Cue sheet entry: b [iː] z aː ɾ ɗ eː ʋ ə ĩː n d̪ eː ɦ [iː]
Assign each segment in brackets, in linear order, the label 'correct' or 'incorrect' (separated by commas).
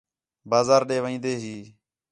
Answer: incorrect, correct